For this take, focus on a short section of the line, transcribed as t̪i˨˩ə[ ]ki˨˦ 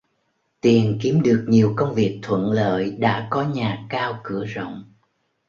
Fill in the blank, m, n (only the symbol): n